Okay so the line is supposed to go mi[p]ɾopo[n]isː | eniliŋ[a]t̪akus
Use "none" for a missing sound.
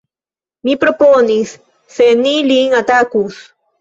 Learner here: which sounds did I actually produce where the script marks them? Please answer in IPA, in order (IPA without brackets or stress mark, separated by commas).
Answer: p, n, a